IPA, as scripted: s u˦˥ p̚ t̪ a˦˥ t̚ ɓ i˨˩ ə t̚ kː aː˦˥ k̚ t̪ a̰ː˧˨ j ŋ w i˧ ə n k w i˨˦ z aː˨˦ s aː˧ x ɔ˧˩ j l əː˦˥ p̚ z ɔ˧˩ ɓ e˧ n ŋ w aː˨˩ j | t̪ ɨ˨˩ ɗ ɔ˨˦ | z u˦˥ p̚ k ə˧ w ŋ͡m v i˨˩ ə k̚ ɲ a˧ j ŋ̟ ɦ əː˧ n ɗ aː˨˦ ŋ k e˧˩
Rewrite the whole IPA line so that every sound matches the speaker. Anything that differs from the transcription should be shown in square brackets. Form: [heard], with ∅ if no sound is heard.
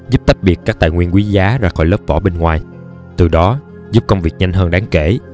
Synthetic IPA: [z] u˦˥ p̚ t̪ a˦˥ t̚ ɓ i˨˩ ə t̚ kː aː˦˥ k̚ t̪ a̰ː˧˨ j ŋ w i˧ ə n k w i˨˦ z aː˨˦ [z] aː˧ x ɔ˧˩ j l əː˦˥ p̚ [v] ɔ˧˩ ɓ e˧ n ŋ w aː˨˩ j | t̪ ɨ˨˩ ɗ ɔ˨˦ | z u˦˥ p̚ k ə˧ w ŋ͡m v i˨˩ ə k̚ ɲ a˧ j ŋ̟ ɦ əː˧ n ɗ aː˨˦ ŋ k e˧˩